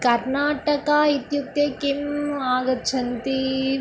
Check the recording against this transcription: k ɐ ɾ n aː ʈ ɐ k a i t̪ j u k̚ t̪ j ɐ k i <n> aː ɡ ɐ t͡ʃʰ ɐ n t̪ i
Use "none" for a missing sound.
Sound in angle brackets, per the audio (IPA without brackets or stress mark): m